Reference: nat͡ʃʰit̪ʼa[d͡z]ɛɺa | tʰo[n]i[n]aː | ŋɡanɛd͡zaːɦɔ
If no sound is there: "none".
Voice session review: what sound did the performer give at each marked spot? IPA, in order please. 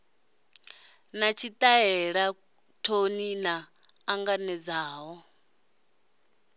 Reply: none, n, n

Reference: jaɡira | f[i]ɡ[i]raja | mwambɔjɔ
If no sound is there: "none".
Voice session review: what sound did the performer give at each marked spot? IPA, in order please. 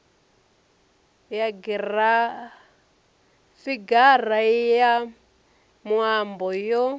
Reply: i, a

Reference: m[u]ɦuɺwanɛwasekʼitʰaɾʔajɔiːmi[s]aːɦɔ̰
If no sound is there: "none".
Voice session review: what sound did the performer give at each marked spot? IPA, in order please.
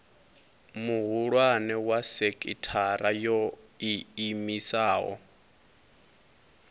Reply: u, s

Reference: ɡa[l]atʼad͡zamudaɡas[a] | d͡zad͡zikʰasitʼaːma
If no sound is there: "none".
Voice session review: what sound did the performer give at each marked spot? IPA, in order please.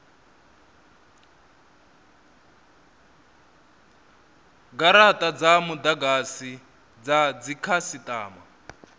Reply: ɾ, i

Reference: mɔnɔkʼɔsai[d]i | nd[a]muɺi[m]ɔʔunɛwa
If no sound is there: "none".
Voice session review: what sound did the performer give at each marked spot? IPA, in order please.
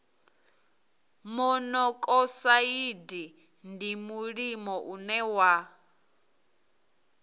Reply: d, i, m

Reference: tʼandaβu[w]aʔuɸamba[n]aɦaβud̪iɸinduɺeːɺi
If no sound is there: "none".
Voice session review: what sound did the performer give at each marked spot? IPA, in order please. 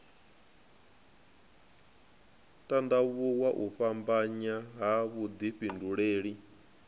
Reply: w, ɲ

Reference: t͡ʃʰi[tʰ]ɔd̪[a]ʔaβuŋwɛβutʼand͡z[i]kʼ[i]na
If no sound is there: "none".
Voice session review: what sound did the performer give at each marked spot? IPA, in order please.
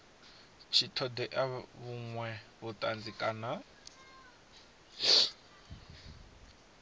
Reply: tʰ, ɛ, i, a

